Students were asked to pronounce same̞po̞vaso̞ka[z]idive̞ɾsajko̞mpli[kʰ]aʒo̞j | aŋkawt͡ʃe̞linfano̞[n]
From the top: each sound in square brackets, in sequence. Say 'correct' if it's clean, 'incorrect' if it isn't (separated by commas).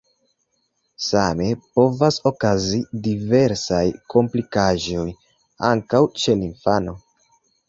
correct, incorrect, incorrect